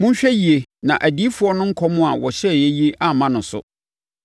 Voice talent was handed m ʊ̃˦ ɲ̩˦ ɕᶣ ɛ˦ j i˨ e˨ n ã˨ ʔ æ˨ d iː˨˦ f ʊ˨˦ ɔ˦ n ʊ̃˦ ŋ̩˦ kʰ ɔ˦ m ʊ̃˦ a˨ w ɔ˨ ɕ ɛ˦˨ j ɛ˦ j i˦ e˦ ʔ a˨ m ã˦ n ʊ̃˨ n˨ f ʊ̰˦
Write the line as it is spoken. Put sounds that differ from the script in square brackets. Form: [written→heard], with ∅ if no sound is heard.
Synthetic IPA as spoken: m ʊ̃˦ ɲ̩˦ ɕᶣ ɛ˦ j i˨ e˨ n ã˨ ʔ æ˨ d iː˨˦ f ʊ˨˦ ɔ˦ n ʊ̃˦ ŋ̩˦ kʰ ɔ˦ m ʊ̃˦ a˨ w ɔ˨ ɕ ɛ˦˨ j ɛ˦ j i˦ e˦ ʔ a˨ m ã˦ n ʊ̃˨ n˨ [f→s] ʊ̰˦

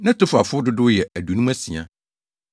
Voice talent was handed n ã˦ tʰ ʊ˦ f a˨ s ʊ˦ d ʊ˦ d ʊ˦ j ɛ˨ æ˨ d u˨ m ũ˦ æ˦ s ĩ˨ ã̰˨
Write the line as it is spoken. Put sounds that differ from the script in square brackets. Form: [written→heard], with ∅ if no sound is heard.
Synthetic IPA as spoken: n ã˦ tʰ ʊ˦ f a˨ [s→f] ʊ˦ d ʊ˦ d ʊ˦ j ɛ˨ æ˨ d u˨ [m→n] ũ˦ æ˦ s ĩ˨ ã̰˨

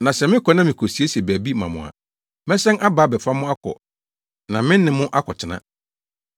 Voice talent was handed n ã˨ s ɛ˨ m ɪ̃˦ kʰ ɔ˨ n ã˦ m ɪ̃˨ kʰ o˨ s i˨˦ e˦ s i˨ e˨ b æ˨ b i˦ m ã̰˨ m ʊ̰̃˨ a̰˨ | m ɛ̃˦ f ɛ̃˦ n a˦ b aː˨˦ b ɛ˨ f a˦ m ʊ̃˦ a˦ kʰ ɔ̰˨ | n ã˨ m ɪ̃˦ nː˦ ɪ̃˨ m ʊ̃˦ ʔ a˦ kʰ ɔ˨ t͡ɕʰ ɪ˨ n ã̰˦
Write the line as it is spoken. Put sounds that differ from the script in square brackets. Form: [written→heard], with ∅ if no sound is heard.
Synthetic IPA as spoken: n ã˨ s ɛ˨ m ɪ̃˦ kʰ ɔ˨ n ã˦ m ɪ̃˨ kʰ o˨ s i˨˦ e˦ s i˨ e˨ b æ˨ b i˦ m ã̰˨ m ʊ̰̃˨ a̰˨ | m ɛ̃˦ [f→s] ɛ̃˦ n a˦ b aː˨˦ b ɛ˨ f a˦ m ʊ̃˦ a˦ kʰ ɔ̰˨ | n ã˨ m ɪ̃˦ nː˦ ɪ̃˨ m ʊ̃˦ ʔ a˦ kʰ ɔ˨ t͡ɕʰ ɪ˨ n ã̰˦

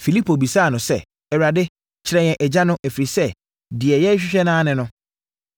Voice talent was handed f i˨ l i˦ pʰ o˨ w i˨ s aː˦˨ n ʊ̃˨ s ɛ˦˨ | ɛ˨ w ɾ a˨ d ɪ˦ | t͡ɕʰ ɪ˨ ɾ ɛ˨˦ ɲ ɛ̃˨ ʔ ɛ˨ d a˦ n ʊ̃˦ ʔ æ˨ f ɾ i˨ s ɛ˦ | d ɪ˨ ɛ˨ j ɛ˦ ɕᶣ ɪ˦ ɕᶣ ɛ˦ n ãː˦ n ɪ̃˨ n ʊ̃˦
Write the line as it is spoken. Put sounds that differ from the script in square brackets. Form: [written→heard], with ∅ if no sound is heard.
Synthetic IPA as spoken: f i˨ l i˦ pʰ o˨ [w→b] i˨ s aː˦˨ n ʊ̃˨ s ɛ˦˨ | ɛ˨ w ɾ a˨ d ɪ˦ | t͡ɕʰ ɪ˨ ɾ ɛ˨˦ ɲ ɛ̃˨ ʔ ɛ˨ [d→d͡ʑ] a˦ n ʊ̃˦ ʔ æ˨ f ɾ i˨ s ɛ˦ | d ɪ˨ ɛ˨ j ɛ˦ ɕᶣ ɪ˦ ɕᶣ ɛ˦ n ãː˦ n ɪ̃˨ n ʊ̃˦

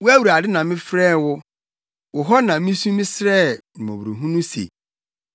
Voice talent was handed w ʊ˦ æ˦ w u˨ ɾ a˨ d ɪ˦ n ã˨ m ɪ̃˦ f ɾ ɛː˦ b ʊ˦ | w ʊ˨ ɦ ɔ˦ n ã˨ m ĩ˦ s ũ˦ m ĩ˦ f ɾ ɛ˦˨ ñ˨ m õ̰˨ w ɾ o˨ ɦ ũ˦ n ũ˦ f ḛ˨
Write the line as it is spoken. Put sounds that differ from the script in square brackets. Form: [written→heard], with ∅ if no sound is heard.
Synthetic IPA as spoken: w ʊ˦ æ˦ w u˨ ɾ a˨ d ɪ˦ n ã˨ m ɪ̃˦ f ɾ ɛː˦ [b→w] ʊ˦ | w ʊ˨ ɦ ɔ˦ n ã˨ m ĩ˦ s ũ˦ m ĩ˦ [f→s] ɾ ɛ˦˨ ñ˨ m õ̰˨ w ɾ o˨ ɦ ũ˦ n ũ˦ [f→s] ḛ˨

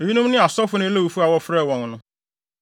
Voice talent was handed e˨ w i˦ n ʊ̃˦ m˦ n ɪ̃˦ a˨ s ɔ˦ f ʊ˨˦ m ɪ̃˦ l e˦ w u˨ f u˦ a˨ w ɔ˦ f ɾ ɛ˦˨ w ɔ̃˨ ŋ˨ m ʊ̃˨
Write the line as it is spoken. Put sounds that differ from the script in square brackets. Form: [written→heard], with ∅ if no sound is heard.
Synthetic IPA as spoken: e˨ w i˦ n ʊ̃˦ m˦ n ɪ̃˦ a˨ s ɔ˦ f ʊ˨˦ [m→n] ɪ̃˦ l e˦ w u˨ f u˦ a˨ w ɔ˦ f ɾ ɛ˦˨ w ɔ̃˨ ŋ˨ [m→n] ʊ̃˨

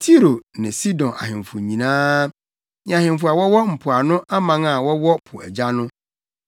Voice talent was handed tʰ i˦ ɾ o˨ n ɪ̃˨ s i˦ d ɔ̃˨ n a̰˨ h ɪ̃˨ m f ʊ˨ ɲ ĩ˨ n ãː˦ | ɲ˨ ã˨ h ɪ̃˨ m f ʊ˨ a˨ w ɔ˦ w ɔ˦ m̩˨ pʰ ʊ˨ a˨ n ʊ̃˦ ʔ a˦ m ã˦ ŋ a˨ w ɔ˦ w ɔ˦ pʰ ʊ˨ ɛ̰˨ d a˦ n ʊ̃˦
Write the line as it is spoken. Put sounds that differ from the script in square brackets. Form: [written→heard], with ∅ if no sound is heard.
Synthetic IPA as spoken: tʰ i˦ ɾ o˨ n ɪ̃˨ s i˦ d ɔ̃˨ n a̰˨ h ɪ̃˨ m f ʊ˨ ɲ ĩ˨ n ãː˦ | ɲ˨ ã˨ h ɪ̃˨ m f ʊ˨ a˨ w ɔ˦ w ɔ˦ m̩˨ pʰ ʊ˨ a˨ n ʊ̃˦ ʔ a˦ m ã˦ ŋ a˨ w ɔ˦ w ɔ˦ pʰ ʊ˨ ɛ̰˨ [d→d͡ʑ] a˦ n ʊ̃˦

